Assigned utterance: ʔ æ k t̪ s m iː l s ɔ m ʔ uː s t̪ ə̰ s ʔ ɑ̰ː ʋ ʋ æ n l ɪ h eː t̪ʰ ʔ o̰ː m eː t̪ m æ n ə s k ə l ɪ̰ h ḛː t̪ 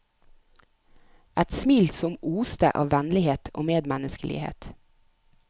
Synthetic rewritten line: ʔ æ t̪ s m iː l s ɔ m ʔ uː s t̪ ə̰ ʔ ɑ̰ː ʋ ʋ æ n l ɪ h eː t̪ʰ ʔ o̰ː m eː d̪ m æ n ə s k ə l ɪ̰ h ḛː t̪